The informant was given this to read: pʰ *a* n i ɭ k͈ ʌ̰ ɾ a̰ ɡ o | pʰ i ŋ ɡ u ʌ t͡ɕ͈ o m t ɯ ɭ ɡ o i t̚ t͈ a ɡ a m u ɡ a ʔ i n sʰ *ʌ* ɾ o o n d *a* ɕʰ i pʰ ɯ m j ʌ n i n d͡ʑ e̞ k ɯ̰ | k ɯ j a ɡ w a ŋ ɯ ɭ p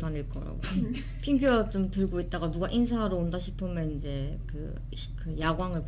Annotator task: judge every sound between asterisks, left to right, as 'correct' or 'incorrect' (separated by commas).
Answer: correct, incorrect, correct